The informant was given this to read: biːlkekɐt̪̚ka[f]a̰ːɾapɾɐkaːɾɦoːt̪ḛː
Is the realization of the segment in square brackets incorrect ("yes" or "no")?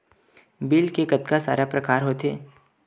yes